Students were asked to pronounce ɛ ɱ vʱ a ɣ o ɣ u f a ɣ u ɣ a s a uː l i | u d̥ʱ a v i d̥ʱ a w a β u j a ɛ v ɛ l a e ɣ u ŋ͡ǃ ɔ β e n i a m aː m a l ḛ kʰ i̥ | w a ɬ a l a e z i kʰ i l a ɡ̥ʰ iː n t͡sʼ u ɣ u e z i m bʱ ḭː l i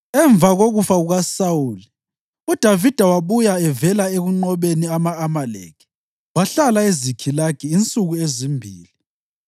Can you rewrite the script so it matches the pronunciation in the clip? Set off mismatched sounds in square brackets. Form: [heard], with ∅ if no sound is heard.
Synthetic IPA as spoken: ɛ ɱ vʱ a ɣ o ɣ u f a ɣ u ɣ a s a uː l i | u d̥ʱ a v i d̥ʱ a w a β u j a ɛ v ɛ l a e ɣ u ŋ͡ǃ ɔ β e n i a m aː m a l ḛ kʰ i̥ | w a ɬ a l a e z i kʰ i l a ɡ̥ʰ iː n t͡sʼ u ɣ u e z i m bʱ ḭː l i

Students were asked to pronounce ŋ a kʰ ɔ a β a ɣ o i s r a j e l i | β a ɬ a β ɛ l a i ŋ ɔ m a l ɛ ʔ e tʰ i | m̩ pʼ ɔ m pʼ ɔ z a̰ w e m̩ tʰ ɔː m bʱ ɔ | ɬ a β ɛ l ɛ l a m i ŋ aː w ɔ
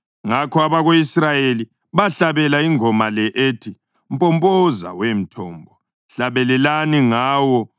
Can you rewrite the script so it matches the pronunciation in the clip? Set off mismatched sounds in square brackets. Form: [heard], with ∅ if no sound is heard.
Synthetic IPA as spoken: ŋ a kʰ ɔ a β a ɣ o i s r a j e l i | β a ɬ a β ɛ l a i ŋ ɔ m a l ɛ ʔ e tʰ i | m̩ pʼ ɔ m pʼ ɔ z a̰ w e m̩ tʰ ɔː m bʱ ɔ | ɬ a β ɛ l ɛ l a [n] i ŋ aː w ɔ

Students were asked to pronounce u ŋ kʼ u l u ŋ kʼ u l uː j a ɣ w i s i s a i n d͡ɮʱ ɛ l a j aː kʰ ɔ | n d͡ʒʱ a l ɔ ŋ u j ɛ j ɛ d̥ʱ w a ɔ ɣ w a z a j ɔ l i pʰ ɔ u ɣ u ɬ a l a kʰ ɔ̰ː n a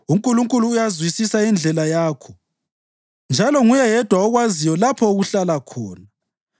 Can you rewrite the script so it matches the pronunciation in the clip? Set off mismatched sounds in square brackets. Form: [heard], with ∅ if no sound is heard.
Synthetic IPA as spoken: u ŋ kʼ u l u ŋ kʼ u l uː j a [z] w i s i s a i n d͡ɮʱ ɛ l a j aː kʰ ɔ | n d͡ʒʱ a l ɔ ŋ u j ɛ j ɛ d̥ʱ w a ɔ ɣ w a z [i] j ɔ l [a] pʰ ɔ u ɣ u ɬ a l a kʰ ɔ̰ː n a

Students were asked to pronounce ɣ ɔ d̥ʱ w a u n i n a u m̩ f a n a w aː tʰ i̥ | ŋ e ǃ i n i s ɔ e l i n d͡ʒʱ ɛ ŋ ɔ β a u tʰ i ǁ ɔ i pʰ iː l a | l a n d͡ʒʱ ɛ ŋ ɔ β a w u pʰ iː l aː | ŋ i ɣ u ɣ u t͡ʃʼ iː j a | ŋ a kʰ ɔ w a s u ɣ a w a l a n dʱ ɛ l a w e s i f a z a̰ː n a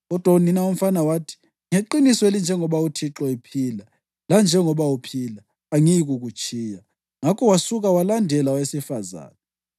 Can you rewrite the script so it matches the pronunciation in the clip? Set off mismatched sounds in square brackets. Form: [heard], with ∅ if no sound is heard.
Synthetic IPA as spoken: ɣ ɔ d̥ʱ w a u n i n a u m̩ f a n a w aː tʰ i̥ | ŋ e ǃ i n i s ɔ e l i n d͡ʒʱ ɛ ŋ ɔ β a u tʰ i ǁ ɔ i pʰ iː l a | l a n d͡ʒʱ ɛ ŋ ɔ β a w u pʰ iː l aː | ŋ i ɣ u ɣ u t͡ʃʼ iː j a | ŋ a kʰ ɔ w a s u ɣ a w a l a n dʱ ɛ l a w e s i f a z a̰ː n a

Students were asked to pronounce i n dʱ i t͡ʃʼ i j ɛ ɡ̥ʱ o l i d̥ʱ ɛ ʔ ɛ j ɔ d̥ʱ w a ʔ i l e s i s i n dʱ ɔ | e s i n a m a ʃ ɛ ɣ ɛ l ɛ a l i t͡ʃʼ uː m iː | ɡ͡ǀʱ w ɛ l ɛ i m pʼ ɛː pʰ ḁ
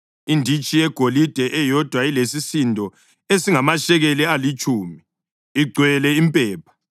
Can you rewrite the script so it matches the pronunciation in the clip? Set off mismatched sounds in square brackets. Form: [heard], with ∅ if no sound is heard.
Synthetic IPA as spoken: i n dʱ i t͡ʃʼ i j ɛ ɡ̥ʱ o l i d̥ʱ ɛ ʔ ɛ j ɔ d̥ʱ w a [∅] i l e s i s i n dʱ ɔ | e s i [ŋ] a m a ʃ ɛ ɣ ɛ l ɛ a l i t͡ʃʼ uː m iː | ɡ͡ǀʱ w ɛ l ɛ i m pʼ ɛː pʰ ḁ

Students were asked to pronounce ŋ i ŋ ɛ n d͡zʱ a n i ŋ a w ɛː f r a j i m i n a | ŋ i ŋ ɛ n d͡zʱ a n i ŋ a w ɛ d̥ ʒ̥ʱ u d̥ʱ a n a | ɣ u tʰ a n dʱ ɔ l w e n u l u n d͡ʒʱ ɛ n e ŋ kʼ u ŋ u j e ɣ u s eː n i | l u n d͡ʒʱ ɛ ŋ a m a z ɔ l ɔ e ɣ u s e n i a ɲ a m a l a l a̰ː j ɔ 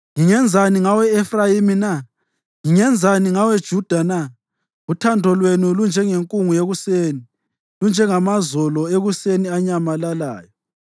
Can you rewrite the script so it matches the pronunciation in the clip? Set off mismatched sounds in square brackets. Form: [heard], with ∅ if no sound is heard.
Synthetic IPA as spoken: ŋ i ŋ ɛ n d͡zʱ a n i ŋ a w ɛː f r a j i m i n a | ŋ i ŋ ɛ n d͡zʱ a n i ŋ a w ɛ d̥ ʒ̥ʱ u d̥ʱ a n a | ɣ u tʰ a n dʱ ɔ l w e n u l u n d͡ʒʱ ɛ [ŋ] e ŋ kʼ u ŋ u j e ɣ u s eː n i | l u n d͡ʒʱ ɛ ŋ a m a z ɔ l ɔ e ɣ u s e n i a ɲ a m a l a l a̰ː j ɔ

